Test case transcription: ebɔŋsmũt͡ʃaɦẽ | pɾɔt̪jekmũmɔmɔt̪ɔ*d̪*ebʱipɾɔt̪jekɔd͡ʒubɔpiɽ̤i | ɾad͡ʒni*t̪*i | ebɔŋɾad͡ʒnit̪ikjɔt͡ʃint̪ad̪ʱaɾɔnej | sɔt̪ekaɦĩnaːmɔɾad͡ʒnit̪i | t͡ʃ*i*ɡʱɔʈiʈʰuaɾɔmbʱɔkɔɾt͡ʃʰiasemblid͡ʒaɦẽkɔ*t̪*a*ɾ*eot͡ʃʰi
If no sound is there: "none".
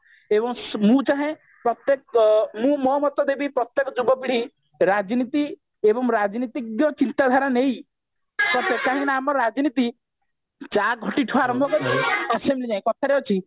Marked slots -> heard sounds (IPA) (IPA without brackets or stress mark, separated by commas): d̪, t̪, a, t̪ʰ, ɾ